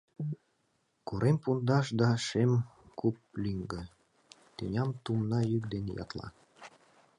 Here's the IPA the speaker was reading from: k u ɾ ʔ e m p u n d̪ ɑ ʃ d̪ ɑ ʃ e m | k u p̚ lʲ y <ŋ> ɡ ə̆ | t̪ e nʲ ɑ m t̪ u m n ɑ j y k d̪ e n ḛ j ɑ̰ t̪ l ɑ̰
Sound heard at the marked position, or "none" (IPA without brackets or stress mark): ŋ